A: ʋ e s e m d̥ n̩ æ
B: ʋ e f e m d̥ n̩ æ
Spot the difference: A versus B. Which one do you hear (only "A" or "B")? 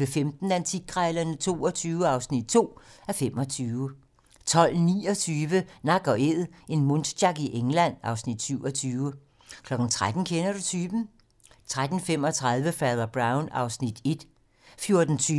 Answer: B